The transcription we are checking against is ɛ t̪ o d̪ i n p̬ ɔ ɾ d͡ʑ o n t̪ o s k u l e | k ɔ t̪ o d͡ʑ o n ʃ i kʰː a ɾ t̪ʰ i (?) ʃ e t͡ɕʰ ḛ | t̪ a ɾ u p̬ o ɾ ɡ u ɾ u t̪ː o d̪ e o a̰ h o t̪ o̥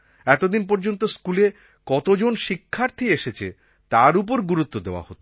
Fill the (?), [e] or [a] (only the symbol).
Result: e